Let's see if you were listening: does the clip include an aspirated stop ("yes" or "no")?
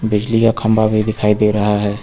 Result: yes